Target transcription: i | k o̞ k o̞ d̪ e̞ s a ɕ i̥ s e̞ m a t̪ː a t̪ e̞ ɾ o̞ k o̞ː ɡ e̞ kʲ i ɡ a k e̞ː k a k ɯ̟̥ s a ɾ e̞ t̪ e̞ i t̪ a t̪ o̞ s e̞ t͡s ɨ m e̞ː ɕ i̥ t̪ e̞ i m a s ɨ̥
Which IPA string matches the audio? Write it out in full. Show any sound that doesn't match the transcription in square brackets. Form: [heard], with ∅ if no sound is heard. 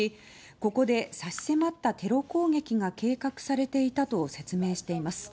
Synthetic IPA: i | k o̞ k o̞ d̪ e̞ s a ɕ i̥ s e̞ m a t̪ː a t̪ e̞ ɾ o̞ k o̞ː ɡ e̞ kʲ i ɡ a k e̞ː k a k ɯ̟̥ s a ɾ e̞ t̪ e̞ i t̪ a t̪ o̞ s e̞ t͡s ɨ m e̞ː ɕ i̥ t̪ e̞ i m a s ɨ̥